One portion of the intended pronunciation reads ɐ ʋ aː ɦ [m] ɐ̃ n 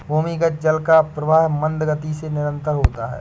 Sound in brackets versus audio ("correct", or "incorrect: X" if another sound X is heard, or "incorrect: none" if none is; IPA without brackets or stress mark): correct